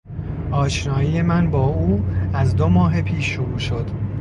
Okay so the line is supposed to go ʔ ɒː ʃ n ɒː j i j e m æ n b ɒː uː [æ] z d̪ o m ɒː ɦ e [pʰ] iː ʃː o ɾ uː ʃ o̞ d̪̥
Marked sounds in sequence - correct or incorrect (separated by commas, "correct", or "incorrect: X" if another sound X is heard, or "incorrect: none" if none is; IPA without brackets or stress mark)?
correct, correct